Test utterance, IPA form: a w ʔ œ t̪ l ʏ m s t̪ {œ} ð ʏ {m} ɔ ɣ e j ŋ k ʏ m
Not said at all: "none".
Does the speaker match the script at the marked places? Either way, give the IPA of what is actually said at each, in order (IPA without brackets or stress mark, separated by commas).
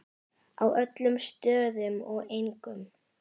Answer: œː, m